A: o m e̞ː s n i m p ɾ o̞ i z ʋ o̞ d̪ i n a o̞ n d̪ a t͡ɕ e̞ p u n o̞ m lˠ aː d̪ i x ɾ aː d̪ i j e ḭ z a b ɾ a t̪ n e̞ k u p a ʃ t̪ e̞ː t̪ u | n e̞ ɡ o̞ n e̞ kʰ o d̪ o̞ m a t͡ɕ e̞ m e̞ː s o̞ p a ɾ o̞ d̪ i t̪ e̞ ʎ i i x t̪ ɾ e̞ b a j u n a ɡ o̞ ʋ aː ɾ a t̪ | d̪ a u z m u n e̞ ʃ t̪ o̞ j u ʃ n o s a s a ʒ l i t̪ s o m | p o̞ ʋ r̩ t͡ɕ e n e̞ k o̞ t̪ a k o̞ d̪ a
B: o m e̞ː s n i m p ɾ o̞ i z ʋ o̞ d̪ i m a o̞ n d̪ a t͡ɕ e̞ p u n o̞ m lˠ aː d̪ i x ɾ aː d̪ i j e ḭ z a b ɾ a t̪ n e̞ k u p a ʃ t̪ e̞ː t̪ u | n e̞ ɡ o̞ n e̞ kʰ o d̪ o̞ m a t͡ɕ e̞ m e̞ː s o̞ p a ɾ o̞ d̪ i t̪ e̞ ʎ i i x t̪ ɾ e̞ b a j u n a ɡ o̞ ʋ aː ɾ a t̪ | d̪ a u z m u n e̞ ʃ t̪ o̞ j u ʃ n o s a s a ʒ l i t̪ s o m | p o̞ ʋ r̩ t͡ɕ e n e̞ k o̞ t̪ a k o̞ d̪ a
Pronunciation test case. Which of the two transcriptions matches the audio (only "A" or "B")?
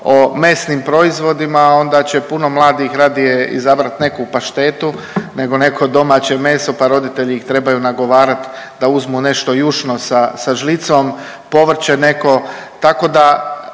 B